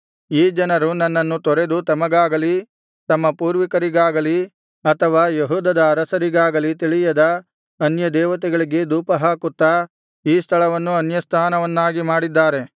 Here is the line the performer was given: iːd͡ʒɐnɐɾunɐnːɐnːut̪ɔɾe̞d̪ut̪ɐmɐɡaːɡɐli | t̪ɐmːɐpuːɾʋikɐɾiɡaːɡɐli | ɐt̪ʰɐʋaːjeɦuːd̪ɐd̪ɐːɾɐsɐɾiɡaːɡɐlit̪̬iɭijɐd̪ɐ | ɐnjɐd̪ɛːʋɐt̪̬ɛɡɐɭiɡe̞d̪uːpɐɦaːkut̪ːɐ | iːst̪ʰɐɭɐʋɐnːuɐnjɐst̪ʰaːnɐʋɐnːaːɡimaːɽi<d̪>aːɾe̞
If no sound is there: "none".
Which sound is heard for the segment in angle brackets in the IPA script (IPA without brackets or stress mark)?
d̪ː